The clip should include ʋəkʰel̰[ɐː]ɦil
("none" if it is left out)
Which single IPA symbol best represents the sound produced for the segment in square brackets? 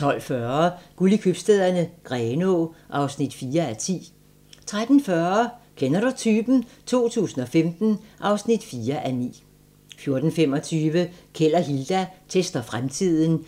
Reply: ɐ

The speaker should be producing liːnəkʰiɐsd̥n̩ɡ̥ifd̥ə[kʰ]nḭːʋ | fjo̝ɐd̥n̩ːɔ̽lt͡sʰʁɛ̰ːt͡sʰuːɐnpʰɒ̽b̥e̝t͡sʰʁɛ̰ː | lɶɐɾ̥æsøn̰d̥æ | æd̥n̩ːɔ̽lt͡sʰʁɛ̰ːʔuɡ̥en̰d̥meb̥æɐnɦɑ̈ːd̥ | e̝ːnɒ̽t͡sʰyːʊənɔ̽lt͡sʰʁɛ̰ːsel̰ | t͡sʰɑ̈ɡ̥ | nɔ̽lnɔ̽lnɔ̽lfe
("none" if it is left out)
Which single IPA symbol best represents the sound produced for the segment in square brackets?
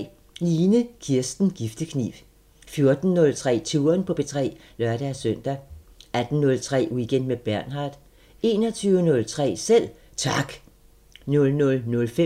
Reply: kʰ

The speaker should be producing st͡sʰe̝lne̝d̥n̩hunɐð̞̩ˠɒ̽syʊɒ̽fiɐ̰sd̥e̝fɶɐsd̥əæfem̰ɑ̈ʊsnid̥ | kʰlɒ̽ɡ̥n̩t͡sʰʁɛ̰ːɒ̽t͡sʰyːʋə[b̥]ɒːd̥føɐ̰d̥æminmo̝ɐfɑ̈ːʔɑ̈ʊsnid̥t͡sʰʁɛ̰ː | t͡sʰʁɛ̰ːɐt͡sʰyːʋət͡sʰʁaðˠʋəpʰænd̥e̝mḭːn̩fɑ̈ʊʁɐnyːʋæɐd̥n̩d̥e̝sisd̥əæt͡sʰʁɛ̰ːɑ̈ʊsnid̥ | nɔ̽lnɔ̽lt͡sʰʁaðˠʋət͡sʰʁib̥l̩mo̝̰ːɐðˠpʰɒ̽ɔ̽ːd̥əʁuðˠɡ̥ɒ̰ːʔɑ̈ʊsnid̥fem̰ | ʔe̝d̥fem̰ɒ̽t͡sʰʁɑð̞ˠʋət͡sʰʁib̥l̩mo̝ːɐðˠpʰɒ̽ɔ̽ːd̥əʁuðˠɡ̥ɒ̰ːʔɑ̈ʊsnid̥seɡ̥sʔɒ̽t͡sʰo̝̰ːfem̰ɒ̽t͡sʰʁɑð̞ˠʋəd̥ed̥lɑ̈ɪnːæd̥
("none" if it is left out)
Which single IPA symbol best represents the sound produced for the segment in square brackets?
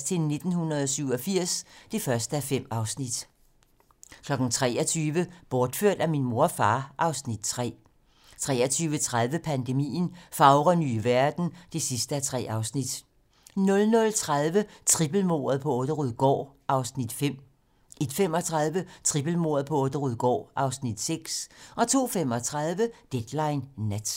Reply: b̥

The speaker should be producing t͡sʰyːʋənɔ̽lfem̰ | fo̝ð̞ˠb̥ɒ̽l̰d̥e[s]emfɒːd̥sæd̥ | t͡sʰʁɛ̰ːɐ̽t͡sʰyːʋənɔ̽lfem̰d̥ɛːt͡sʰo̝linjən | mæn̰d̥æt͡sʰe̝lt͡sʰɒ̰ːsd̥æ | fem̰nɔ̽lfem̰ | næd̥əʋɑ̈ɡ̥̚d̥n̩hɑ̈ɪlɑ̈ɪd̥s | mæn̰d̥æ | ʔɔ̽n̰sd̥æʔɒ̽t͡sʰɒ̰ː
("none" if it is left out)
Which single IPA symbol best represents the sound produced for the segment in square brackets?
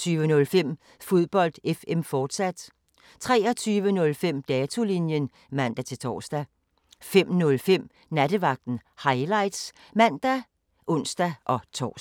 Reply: f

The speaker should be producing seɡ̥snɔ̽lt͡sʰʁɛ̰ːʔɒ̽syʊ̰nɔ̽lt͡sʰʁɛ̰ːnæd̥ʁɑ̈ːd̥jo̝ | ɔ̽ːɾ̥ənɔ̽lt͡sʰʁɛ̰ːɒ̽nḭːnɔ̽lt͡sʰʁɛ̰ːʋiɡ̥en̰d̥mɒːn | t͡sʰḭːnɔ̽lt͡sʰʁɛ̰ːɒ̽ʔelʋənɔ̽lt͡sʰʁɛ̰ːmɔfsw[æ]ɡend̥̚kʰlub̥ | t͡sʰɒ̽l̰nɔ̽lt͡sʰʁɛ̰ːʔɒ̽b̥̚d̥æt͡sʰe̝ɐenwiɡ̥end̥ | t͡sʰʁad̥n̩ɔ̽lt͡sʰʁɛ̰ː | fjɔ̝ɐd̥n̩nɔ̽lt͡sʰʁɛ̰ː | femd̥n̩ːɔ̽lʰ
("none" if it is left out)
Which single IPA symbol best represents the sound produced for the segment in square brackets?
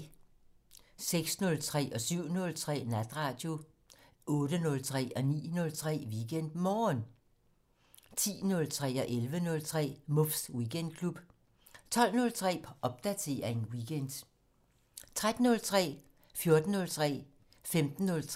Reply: i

